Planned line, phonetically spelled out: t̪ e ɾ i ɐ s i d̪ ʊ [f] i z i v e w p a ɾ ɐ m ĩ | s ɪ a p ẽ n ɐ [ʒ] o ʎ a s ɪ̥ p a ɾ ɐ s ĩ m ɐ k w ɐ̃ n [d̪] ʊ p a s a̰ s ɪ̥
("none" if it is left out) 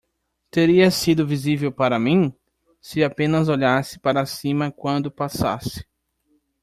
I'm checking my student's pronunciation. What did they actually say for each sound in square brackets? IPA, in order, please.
v, z, d̪

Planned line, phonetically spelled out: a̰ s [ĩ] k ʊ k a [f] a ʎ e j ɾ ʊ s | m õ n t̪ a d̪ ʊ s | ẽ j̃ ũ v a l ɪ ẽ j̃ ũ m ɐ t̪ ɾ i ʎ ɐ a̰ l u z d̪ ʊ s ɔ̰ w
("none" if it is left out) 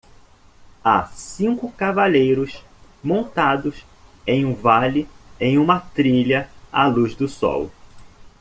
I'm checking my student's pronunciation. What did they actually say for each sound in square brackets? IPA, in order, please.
ĩ, v

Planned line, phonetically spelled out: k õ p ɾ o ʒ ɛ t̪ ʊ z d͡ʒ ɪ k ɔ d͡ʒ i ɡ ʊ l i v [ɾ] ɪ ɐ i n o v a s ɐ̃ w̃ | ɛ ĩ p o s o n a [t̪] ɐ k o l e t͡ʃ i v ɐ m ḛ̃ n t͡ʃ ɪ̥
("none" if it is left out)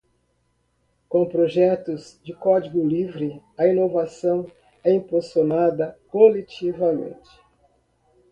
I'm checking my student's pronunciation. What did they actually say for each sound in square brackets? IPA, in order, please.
ɾ, d̪

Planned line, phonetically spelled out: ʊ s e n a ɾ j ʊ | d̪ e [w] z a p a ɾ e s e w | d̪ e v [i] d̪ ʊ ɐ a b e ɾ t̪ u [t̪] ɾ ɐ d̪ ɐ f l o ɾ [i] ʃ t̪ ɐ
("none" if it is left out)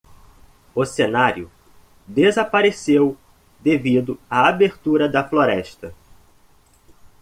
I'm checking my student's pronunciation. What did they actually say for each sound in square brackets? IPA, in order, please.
none, i, none, ɛ

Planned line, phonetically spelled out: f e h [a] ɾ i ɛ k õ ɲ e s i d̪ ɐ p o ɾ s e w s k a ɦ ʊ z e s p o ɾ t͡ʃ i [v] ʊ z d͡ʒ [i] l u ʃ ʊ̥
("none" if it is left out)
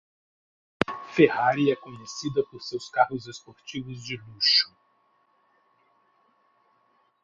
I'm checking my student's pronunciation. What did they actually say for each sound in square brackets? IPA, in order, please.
a, v, ɪ

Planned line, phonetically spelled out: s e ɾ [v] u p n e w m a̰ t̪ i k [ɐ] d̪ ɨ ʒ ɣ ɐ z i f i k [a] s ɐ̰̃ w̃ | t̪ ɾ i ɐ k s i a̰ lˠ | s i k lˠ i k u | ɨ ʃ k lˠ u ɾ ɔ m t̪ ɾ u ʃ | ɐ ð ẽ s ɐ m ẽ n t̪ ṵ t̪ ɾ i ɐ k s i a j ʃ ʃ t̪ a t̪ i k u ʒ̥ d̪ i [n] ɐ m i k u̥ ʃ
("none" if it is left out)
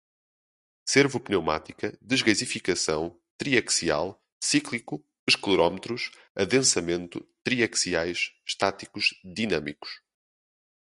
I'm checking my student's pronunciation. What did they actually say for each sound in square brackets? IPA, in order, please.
v, ɐ, ɐ, n

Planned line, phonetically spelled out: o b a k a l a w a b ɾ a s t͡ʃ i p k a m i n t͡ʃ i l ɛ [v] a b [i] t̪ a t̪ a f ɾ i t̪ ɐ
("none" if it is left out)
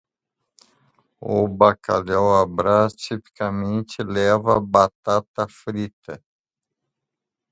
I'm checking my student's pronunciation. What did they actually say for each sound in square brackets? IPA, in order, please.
v, a

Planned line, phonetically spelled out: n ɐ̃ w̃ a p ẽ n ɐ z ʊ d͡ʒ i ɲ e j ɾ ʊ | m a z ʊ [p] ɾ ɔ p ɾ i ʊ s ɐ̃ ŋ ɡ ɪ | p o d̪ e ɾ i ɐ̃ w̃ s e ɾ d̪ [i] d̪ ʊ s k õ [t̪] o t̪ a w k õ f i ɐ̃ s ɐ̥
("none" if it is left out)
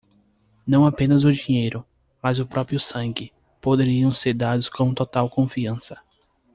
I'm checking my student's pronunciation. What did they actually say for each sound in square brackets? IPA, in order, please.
p, a, t̪

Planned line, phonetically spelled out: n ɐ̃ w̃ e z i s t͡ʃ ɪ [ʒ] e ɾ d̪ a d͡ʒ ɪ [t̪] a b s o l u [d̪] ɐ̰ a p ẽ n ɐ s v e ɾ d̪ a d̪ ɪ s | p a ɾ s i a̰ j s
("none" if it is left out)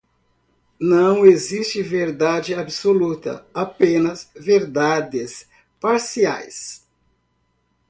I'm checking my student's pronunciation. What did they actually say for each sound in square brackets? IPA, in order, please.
v, none, t̪

